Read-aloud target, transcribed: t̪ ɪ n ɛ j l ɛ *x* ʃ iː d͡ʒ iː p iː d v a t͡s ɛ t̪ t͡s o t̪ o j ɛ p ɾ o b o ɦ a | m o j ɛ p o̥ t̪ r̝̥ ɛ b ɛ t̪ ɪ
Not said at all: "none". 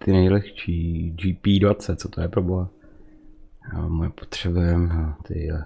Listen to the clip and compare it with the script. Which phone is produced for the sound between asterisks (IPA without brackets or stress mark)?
x